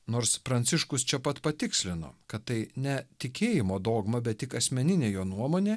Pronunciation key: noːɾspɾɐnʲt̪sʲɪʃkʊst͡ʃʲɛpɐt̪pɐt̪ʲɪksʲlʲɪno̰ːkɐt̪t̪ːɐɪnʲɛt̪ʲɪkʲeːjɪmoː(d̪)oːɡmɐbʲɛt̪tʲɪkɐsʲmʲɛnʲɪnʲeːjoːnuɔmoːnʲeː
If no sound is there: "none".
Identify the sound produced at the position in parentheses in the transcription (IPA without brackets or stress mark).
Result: d̪